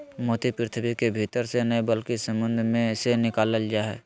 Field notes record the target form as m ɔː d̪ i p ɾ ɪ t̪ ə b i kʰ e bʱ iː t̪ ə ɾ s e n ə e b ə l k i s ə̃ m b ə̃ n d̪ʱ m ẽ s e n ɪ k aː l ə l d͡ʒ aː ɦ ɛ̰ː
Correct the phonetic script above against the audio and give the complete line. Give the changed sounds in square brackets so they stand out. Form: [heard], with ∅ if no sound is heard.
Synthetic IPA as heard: m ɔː [t̪] i p ɾ ɪ [t̪ʰ] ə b i [k] e bʱ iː t̪ ə ɾ s e n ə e b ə l k i s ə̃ m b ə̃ n d̪ʱ m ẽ s e n ɪ k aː l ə l d͡ʒ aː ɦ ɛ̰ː